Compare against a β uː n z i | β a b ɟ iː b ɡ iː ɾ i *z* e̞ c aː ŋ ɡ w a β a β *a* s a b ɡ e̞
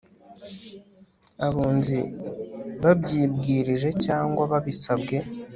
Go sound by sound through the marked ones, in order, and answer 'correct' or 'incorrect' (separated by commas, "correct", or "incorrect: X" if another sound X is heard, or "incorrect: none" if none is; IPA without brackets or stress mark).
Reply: incorrect: ʒ, incorrect: i